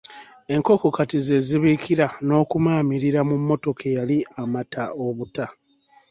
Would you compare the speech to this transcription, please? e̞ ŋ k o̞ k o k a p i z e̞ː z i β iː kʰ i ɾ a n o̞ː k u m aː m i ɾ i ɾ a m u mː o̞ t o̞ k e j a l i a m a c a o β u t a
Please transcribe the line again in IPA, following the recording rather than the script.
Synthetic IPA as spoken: e̞ ŋ k o̞ k o k a t i z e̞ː z i β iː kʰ i ɾ a n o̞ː k u m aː m i ɾ i ɾ a m u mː o̞ t o̞ k e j a l i a m a t a o β u t a